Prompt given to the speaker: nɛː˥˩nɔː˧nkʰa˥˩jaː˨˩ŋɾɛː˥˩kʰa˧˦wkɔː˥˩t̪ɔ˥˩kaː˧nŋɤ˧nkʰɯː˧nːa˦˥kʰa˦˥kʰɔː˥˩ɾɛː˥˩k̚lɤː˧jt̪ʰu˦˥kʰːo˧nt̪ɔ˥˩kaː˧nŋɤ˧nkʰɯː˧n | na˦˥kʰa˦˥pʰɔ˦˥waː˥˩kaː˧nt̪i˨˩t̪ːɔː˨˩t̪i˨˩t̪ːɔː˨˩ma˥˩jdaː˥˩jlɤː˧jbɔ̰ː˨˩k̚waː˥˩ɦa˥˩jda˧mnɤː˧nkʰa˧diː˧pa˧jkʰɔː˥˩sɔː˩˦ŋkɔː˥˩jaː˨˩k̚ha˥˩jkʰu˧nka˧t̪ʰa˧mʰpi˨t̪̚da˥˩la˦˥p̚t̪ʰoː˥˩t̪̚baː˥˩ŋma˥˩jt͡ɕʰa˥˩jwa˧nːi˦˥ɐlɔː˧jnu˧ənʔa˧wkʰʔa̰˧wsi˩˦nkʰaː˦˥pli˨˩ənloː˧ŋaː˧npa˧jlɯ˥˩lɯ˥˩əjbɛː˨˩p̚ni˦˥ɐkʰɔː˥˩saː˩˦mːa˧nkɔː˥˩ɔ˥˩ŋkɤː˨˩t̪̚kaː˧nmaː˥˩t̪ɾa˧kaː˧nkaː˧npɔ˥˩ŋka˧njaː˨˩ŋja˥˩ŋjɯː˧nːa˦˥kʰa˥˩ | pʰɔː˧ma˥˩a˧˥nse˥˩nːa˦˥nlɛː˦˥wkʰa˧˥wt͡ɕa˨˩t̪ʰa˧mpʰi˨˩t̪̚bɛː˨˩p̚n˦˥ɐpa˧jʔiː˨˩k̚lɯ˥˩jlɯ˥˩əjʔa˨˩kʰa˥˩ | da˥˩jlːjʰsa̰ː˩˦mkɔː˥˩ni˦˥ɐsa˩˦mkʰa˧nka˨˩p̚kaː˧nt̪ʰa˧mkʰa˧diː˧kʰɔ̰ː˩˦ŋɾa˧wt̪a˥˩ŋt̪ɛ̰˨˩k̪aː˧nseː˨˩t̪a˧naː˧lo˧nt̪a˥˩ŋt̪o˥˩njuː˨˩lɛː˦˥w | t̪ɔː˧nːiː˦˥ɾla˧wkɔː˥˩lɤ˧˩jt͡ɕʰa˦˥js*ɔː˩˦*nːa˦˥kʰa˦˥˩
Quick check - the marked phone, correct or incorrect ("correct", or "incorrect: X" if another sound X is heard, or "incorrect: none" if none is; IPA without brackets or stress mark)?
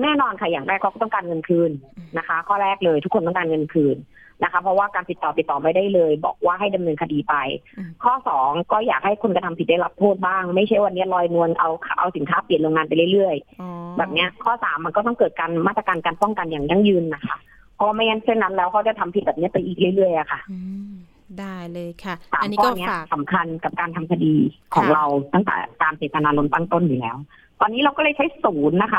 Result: incorrect: uː˩˦